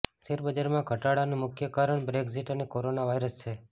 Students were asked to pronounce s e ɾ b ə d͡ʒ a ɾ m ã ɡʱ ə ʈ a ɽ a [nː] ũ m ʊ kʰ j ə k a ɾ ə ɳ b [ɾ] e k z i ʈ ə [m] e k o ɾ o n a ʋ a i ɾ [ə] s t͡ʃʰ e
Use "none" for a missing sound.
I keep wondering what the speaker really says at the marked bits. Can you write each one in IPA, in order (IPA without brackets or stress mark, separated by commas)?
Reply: n, ɾ, n, ə